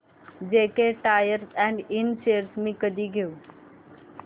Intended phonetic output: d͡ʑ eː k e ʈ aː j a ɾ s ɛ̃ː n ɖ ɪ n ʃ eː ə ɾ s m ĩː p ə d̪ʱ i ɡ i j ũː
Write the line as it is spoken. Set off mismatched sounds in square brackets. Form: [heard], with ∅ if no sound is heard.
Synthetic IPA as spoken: d͡ʑ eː k e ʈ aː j [ə] ɾ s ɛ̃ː [ɳ] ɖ ɪ n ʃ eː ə ɾ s m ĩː [k] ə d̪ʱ i ɡ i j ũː